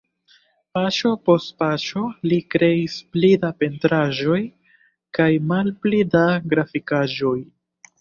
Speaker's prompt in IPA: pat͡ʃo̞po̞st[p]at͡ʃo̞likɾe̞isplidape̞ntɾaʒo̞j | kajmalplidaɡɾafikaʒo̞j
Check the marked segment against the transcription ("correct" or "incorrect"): correct